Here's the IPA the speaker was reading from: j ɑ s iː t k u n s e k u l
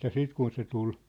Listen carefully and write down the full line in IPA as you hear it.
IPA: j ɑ s iː t k u n s e t u l